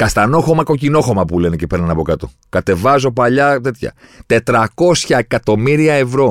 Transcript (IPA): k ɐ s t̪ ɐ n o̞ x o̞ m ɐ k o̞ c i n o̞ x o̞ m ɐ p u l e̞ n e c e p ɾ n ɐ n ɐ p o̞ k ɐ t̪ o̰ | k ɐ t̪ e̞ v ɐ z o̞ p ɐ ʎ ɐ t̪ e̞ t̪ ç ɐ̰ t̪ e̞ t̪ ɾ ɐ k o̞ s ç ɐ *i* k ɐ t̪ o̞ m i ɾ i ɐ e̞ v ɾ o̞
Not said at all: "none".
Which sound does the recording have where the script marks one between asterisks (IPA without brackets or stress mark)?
e